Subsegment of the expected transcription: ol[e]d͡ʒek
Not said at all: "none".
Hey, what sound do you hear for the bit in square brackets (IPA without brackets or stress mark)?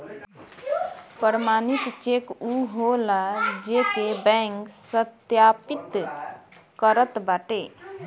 a